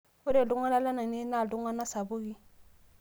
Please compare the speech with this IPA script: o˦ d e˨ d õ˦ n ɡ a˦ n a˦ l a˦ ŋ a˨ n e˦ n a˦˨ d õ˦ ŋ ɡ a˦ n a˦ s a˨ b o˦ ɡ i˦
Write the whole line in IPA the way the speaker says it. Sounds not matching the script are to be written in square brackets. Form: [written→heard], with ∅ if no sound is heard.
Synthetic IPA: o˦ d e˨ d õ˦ [n→ŋ] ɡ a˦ n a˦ l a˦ [ŋ→n] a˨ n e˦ n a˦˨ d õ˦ ŋ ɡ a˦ n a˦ s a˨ b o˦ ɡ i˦